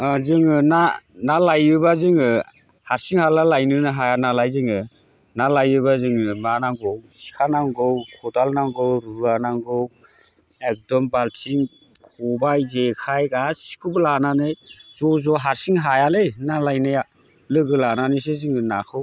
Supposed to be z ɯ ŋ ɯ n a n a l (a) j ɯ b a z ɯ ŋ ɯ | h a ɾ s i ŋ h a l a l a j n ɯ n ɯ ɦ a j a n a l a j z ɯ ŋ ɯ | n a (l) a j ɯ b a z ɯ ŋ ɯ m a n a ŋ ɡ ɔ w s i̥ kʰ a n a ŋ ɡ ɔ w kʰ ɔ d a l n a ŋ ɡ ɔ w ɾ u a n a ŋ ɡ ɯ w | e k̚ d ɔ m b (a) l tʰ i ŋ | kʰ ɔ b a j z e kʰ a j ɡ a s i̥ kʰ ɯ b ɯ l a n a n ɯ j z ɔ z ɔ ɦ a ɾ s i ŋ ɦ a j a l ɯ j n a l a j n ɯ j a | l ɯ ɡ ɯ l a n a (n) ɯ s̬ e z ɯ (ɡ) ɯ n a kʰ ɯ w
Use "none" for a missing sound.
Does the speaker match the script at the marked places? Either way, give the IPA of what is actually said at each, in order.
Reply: a, l, a, n, ŋ

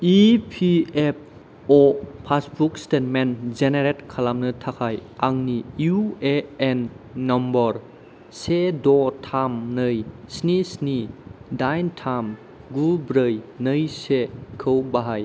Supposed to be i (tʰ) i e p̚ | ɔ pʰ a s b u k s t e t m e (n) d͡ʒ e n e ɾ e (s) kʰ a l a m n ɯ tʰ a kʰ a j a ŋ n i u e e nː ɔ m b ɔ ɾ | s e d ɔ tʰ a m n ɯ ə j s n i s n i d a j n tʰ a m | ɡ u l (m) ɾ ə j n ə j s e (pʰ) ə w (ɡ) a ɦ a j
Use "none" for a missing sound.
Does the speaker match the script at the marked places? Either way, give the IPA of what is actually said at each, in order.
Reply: pʰ, n, t, b, kʰ, b

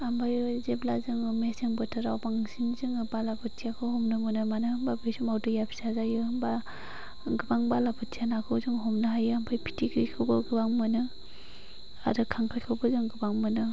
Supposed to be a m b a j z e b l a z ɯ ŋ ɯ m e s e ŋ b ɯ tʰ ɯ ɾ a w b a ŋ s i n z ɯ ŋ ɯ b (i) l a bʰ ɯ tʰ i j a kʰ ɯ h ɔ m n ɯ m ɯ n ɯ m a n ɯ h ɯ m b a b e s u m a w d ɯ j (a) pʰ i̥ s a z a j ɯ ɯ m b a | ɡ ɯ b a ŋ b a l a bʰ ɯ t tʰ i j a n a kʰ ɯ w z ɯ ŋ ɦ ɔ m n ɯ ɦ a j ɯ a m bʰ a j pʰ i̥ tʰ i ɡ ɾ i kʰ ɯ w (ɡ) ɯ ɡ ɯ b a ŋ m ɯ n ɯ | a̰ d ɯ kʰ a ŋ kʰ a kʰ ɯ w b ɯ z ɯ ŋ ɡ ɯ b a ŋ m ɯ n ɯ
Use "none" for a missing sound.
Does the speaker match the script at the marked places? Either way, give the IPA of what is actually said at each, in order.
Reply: a, a, b

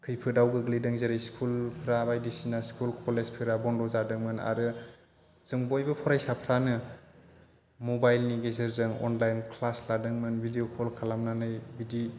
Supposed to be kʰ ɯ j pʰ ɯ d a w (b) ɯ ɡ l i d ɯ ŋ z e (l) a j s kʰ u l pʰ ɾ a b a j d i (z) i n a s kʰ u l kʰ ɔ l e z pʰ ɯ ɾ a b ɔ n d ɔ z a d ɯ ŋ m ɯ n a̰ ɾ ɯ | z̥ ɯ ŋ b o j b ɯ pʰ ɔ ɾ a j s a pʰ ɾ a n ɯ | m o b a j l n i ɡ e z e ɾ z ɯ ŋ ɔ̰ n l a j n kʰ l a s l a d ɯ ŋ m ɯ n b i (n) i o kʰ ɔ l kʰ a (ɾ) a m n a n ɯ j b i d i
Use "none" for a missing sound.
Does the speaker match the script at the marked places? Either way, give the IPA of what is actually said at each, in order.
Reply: ɡ, ɾ, s, d, l

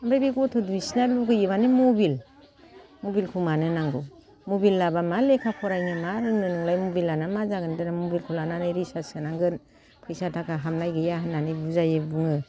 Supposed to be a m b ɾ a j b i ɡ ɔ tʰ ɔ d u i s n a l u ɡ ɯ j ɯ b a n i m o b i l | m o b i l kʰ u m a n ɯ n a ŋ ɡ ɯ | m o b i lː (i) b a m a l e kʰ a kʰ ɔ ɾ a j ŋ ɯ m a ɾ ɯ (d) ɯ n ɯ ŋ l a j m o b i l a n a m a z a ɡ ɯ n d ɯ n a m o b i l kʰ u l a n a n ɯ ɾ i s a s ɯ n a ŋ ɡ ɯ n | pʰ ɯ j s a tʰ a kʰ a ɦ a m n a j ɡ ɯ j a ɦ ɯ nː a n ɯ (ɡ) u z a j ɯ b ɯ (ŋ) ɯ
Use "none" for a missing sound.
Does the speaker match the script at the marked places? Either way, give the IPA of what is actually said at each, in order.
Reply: a, n, b, ŋ

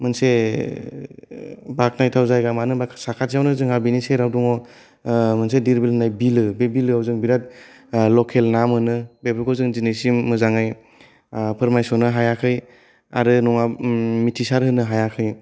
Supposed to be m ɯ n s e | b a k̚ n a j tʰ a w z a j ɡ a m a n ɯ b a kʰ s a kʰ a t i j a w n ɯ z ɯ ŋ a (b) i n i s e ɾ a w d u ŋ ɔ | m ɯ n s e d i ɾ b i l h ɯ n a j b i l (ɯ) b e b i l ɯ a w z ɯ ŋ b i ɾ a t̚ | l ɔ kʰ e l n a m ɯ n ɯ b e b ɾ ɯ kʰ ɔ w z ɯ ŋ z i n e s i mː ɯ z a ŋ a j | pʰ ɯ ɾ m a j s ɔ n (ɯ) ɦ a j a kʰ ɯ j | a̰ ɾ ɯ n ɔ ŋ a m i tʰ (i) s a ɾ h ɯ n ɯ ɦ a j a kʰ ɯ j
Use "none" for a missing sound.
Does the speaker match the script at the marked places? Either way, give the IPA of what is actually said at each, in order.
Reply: b, ɯ, ɯ, i

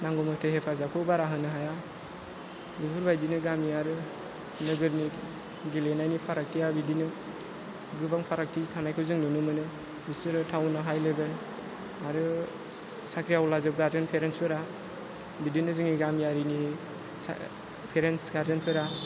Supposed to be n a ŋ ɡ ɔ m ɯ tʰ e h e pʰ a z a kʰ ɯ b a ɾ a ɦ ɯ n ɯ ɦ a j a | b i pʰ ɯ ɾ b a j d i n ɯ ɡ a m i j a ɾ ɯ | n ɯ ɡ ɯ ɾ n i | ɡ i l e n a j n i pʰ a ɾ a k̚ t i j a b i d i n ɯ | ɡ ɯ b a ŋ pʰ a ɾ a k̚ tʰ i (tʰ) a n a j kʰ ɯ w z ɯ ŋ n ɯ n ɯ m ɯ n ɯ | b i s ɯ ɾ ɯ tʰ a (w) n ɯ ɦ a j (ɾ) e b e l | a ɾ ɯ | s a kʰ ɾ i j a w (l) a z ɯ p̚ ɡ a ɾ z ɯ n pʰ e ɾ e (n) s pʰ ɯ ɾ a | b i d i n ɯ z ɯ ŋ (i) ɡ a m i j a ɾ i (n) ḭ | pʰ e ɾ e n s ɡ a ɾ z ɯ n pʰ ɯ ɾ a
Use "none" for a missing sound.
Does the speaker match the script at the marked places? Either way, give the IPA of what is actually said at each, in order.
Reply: tʰ, w, l, l, n, i, n

